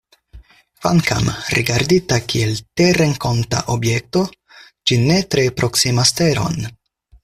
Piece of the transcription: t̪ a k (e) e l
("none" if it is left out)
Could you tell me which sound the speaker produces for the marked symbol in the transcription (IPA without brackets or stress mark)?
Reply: i